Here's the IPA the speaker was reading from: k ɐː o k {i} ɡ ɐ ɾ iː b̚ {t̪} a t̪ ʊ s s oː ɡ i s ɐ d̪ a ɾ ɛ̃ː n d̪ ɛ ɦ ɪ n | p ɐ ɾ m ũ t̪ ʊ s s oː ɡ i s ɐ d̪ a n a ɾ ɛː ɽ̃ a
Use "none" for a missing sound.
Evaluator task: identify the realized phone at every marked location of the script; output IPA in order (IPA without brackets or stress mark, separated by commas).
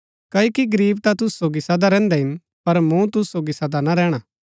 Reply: i, t̪